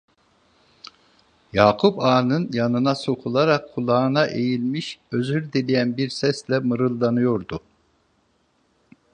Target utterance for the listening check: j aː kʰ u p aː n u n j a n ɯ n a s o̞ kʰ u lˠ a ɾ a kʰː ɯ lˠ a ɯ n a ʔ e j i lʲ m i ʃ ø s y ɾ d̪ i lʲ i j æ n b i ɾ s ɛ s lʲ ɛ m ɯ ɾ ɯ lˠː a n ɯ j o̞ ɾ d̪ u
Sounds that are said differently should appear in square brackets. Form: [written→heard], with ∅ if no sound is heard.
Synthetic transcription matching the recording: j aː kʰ u p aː n [u→ɯ] n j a n ɯ n a s o̞ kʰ u lˠ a ɾ a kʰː [ɯ→u] lˠ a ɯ n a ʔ e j i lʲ m i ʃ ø [s→z] y ɾ d̪ i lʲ i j æ n b i ɾ s ɛ s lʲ ɛ m ɯ ɾ ɯ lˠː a n ɯ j o̞ ɾ d̪ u